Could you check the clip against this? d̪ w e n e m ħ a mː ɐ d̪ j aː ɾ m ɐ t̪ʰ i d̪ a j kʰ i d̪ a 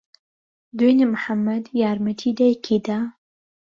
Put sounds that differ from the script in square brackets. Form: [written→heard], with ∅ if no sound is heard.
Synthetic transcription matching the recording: d̪ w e n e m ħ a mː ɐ d̪ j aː ɾ m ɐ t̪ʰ i d̪ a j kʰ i d̪ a